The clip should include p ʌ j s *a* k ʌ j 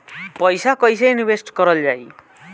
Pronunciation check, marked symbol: correct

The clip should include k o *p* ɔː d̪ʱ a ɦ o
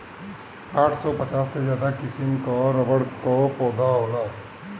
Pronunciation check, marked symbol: correct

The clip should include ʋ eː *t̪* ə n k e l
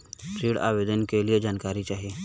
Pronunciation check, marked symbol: incorrect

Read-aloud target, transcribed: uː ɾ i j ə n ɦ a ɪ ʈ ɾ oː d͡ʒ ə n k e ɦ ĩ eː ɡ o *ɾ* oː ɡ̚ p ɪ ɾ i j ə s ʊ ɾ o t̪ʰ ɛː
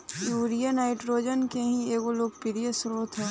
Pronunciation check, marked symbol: incorrect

